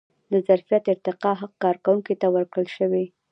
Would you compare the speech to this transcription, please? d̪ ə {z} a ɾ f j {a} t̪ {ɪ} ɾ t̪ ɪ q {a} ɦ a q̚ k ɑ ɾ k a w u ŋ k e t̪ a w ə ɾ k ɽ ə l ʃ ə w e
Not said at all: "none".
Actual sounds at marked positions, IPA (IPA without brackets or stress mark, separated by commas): z, a, ɪ, ɑ